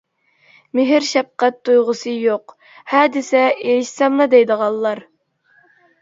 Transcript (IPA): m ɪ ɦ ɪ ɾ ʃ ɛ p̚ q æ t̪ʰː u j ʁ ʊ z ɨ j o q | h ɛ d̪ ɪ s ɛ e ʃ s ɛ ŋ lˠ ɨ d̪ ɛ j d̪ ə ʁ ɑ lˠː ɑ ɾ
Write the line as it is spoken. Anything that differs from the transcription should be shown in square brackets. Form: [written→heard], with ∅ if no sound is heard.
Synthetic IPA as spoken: m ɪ ɦ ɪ ɾ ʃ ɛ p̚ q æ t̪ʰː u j ʁ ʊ [z→s] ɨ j o q | h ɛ d̪ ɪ s ɛ e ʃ s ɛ [ŋ→m] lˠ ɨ d̪ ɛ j d̪ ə ʁ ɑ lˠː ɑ ɾ